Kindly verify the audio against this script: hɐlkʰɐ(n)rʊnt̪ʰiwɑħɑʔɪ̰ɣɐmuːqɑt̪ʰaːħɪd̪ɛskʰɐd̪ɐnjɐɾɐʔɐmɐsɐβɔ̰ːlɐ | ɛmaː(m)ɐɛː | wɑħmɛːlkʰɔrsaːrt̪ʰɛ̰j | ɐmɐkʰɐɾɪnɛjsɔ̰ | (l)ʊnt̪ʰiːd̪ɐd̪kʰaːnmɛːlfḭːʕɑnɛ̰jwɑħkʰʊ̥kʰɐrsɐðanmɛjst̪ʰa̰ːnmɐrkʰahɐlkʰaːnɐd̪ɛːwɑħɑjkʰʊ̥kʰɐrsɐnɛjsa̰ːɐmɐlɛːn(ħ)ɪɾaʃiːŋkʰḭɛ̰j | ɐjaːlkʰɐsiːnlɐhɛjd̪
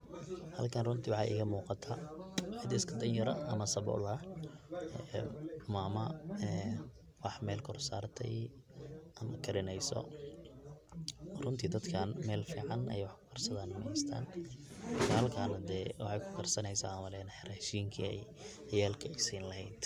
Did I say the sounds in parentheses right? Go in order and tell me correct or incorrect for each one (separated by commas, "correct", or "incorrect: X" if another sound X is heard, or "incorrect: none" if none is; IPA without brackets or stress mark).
correct, correct, incorrect: r, correct